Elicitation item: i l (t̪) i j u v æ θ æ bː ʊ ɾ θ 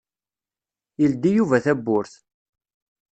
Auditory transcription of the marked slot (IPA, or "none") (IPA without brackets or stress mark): d̪